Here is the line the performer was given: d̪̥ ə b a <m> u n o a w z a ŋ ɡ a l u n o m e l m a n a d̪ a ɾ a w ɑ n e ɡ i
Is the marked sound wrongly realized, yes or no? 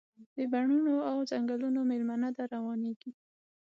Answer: yes